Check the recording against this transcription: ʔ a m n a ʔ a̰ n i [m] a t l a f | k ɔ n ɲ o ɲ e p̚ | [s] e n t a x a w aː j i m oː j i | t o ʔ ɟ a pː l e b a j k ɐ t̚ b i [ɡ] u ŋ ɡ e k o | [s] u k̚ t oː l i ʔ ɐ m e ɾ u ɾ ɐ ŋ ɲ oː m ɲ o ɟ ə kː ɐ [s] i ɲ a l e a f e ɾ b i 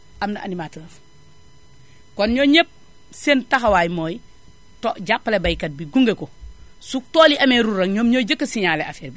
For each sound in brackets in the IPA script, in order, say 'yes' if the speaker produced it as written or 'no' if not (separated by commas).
yes, yes, yes, yes, yes